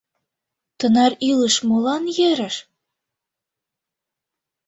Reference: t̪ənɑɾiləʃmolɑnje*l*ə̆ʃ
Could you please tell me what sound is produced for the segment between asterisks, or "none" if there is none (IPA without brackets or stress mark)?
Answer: ɾ